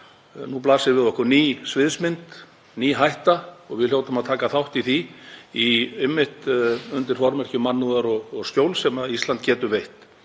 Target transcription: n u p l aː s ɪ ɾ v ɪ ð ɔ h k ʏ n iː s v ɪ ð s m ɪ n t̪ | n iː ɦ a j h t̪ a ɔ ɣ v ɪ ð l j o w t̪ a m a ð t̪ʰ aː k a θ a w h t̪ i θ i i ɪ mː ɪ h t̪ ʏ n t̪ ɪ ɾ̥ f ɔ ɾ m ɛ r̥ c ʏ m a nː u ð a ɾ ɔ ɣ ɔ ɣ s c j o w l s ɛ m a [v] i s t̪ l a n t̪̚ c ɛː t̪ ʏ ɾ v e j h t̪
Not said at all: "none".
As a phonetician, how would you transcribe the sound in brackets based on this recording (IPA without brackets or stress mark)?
ð